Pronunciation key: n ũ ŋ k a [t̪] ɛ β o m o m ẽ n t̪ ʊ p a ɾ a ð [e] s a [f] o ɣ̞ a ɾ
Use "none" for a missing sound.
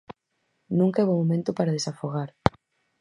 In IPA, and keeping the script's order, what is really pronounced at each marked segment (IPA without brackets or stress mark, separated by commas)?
none, e, f